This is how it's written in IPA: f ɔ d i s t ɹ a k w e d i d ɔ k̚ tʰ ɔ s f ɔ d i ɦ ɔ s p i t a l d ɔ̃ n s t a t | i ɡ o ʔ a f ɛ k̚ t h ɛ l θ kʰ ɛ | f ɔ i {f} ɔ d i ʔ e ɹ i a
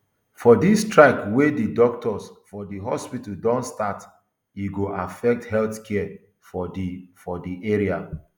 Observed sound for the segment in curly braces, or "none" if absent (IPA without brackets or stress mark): f